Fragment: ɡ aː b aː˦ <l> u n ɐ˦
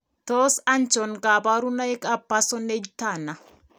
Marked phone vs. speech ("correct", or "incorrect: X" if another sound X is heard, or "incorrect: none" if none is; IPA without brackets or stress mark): incorrect: ɾ